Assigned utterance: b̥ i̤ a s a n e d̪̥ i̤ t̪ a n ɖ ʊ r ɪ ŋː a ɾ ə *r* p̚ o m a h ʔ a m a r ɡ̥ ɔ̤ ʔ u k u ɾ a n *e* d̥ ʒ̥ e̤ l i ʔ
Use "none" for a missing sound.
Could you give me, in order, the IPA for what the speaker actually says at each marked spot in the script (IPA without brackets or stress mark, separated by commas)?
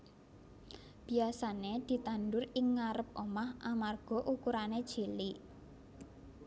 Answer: none, e